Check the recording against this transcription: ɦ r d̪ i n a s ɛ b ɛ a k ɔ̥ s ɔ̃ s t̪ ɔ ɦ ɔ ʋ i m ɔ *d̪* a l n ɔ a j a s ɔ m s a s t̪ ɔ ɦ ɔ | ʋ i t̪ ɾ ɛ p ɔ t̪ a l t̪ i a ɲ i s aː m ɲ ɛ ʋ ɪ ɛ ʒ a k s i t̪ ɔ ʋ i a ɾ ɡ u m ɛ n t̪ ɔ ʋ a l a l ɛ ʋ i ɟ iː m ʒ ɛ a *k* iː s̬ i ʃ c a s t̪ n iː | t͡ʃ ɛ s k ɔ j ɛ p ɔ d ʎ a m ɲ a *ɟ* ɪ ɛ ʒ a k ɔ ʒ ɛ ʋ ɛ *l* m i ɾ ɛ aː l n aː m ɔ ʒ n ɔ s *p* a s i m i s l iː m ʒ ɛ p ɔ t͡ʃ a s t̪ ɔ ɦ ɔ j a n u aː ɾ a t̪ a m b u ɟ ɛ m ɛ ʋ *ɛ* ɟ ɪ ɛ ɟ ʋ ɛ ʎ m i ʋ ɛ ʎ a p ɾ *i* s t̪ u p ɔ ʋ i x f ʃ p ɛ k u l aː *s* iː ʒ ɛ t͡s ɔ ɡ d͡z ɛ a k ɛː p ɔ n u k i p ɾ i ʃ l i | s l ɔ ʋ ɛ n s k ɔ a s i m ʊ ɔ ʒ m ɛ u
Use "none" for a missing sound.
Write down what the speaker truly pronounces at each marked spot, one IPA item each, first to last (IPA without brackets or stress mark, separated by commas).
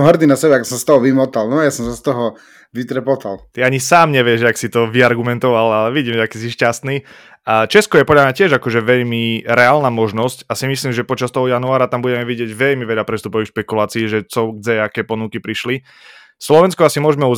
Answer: t̪, k, c, ʎ, c, i, ɛ, t͡s